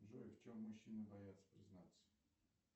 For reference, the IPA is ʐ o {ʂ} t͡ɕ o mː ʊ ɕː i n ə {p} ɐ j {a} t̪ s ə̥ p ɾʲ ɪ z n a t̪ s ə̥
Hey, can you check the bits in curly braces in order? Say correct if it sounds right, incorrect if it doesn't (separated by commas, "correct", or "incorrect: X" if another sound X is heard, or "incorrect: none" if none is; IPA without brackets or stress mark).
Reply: incorrect: f, incorrect: b, correct